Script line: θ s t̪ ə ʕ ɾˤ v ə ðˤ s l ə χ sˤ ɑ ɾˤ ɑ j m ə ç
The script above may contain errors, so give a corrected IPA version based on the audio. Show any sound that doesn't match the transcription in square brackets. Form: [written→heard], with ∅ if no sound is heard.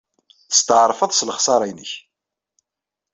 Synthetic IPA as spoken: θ s t̪ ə ʕ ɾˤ [v→f] ə ðˤ s l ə χ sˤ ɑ ɾˤ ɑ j [m→n] ə ç